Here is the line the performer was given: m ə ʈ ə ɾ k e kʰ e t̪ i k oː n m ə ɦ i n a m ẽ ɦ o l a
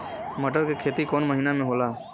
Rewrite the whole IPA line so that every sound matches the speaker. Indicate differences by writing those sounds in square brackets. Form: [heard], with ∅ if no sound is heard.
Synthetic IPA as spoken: m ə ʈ ə ɾ k e kʰ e t̪ i k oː n m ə ɦ i n a m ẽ ɦ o l a